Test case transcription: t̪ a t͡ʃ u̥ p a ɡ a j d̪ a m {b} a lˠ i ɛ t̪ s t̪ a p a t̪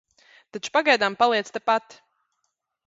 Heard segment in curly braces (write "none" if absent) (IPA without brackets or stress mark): p